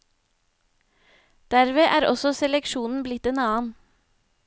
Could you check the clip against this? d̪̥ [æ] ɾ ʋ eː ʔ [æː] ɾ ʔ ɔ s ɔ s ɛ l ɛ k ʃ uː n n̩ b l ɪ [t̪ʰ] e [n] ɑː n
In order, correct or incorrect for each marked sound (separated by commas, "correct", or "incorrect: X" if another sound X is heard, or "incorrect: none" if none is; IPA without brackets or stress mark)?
correct, correct, incorrect: t̪, correct